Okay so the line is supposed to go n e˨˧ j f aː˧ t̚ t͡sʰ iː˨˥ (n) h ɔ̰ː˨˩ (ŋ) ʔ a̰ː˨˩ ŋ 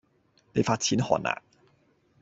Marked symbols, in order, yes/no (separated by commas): yes, no